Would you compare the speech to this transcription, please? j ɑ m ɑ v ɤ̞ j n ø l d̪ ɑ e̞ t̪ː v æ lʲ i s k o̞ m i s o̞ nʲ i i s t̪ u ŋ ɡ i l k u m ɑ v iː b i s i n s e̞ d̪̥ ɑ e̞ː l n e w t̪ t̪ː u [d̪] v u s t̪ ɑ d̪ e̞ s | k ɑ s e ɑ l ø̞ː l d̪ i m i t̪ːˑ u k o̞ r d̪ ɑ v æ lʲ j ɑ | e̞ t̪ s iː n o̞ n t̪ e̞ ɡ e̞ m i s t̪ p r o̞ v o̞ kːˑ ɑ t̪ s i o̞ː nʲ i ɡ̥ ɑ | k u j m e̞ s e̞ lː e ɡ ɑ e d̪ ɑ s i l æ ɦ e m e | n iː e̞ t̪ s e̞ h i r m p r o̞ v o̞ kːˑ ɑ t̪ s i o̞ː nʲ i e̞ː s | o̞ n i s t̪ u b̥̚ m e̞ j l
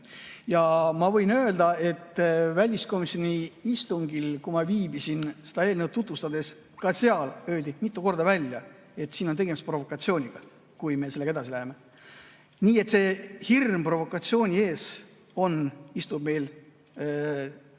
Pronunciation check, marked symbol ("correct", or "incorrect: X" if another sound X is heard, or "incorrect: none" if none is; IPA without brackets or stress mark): incorrect: t̪